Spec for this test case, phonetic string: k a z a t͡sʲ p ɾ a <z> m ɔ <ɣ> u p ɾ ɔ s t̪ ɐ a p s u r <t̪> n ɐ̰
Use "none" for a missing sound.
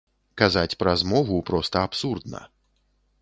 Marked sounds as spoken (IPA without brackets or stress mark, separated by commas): z, v, d̪